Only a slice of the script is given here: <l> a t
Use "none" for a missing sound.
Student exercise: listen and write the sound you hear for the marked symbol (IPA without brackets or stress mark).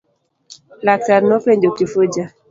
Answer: l